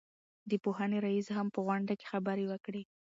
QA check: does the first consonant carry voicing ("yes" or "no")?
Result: yes